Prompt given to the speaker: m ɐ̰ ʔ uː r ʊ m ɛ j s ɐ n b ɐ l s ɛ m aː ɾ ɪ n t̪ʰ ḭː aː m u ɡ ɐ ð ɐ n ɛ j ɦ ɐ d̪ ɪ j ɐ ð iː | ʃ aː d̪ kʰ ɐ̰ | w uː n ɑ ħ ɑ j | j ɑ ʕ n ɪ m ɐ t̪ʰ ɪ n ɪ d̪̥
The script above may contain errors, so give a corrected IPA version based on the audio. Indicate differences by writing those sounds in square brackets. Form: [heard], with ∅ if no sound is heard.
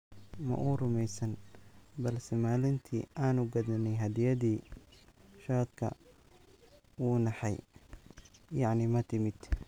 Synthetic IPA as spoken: m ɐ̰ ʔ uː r ʊ m ɛ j s ɐ n b ɐ l s ɛ m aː [l] ɪ n t̪ʰ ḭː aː [n] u ɡ ɐ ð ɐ n ɛ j ɦ ɐ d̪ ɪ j ɐ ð iː | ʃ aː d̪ kʰ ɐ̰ | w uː n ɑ ħ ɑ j | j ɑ ʕ n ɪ m ɐ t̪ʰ ɪ [m] ɪ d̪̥